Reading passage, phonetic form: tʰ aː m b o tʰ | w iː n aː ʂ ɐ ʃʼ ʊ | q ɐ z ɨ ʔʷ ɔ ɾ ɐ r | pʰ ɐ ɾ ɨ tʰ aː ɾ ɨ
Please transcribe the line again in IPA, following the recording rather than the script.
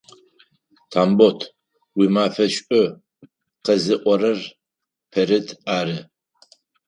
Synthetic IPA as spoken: tʰ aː m b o tʰ | w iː m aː f ɐ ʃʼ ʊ | q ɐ z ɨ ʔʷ ɔ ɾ ɐ r | pʰ ɐ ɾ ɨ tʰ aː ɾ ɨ

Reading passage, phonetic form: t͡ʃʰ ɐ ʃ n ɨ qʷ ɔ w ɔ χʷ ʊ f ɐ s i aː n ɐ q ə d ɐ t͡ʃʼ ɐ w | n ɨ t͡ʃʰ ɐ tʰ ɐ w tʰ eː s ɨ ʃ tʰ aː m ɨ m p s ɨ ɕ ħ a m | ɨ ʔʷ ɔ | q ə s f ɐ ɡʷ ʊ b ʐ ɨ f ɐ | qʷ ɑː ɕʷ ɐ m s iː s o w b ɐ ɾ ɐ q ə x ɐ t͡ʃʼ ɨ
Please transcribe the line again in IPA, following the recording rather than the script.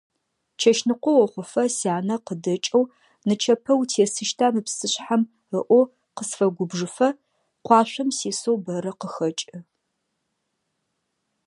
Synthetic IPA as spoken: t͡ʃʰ ɐ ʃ n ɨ qʷ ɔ w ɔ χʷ ʊ f ɐ s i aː n ɐ q ə d ɐ t͡ʃʼ ɐ w | n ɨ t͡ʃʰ ɐ pʰ ɐ w tʰ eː s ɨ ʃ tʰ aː m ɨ p s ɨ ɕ ħ a m | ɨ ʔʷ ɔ | q ə s f ɐ ɡʷ ʊ b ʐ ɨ f ɐ | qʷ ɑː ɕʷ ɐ m s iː s o w b ɐ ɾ ɐ q ə x ɐ t͡ʃʼ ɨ

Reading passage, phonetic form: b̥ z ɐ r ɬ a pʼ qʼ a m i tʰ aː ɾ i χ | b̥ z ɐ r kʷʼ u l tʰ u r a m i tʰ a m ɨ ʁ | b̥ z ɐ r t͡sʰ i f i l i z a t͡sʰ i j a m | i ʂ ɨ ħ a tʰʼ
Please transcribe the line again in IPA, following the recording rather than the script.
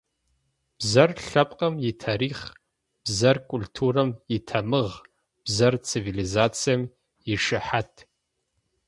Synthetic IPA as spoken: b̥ z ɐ r ɬ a pʼ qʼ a m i tʰ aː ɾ i χ | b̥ z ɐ r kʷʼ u l tʰ u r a m i tʰ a m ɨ ʁ | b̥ z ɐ r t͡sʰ i v i l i z a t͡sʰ i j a m | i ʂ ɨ ħ a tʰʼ

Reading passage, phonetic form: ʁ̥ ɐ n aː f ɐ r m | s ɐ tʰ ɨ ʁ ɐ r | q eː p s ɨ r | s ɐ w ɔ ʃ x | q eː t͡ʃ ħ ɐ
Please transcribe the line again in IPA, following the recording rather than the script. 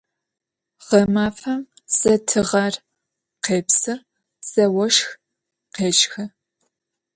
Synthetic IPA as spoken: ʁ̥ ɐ m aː f ɐ m | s ɐ tʰ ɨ ʁ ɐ r | q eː p s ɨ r | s ɐ w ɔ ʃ x | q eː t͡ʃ x ɐ

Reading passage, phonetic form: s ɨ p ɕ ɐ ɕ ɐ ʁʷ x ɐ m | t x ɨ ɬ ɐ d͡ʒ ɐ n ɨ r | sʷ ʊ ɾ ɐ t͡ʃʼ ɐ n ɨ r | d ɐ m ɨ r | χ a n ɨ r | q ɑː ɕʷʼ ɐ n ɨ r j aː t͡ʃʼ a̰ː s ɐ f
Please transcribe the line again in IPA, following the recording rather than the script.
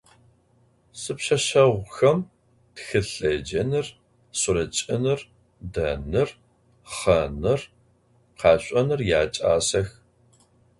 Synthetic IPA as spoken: s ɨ p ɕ ɐ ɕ ɐ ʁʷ x ɐ m | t x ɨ ɬ ɐ d͡ʒ ɐ n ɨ r | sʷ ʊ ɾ ɐ t͡ʃʼ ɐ n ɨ r | d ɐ n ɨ r | χ ɐ n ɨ r | q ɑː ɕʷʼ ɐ n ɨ r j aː t͡ʃʼ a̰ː s ɐ x

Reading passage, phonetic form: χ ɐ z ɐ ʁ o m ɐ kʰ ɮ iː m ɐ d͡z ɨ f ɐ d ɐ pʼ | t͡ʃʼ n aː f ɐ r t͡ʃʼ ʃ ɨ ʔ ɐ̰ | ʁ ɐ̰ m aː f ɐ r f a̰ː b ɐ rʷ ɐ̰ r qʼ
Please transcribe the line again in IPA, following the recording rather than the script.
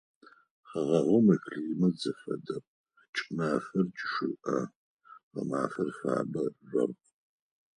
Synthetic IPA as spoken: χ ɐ ʁ ɐ ʁ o m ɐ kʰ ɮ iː m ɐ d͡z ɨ f ɐ d ɐ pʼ | t͡ʃʼ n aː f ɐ r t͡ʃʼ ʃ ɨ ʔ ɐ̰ | ʁ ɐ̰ m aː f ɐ r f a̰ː b ɐ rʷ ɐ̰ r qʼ

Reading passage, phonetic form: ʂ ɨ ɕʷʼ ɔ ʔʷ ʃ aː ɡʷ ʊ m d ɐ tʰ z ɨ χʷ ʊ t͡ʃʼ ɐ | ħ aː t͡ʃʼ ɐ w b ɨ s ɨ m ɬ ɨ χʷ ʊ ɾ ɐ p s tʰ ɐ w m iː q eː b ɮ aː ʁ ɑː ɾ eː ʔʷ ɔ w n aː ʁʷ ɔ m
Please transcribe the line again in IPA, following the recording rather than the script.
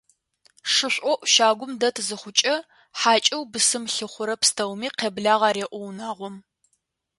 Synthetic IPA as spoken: ʂ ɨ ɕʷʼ ɔ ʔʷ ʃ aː ɡʷ ʊ m d ɐ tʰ z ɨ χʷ ʊ t͡ʃʼ ɐ | ħ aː t͡ʃʼ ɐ w b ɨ s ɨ m ɬ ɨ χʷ ʊ ɾ ɐ p s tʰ ɐ w m iː q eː b ɮ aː ʁ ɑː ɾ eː ʔʷ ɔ w n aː ʁʷ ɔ m

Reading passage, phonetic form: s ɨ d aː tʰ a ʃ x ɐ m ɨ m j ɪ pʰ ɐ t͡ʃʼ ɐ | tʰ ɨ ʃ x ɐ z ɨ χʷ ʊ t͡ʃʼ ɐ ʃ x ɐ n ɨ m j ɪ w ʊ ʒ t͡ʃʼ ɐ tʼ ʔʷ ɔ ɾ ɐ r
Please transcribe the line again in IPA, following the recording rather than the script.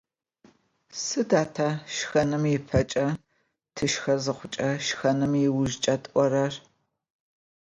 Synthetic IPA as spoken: s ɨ d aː tʰ a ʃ x ɐ n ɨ m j ɪ pʰ ɐ t͡ʃʼ ɐ | tʰ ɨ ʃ x ɐ z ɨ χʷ ʊ t͡ʃʼ ɐ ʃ x ɐ n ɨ m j ɪ w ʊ ʒ t͡ʃʼ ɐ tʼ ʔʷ ɔ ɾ ɐ r

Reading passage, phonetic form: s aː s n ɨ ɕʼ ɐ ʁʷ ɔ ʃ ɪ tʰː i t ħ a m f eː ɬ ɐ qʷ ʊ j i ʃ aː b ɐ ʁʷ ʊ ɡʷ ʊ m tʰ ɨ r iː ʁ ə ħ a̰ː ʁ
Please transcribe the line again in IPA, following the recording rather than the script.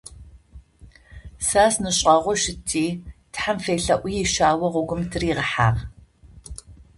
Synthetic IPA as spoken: s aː s n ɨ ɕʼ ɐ ʁʷ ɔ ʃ ɪ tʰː iː t ħ a m f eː ɬ ɐ ʔʷ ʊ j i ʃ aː w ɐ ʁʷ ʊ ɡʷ ʊ m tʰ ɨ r iː ʁ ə ħ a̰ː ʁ

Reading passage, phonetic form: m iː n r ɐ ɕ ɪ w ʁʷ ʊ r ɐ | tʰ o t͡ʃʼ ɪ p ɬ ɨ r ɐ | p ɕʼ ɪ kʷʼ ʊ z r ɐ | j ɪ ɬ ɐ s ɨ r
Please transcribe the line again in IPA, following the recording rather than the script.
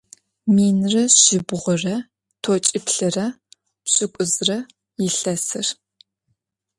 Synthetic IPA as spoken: m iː n r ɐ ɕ ɪ b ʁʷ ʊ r ɐ | tʰ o t͡ʃʼ ɪ p ɬ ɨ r ɐ | p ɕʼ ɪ kʷʼ ʊ z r ɐ | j ɪ ɬ ɐ s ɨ r

